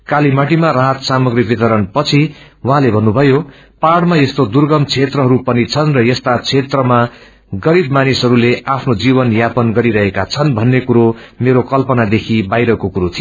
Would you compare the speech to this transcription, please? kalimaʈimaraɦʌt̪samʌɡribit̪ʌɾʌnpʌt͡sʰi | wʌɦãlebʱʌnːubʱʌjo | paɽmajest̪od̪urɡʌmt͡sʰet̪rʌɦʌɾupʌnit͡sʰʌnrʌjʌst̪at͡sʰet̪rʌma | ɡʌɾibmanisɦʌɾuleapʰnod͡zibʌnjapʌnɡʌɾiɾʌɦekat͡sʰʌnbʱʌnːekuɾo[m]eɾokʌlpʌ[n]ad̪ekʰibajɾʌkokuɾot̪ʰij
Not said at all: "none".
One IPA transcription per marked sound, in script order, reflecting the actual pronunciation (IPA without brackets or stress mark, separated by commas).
m, n